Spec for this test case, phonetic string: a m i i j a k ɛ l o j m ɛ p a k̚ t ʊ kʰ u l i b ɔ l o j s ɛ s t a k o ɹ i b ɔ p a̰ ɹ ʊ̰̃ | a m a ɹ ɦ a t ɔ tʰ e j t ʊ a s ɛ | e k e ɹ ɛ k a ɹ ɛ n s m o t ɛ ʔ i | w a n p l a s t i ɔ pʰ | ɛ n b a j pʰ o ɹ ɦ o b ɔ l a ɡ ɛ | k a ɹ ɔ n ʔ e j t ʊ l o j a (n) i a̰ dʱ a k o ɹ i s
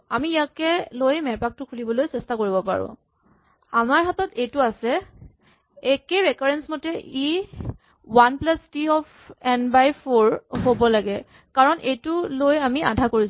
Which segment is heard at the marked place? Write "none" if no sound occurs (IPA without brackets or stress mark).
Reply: m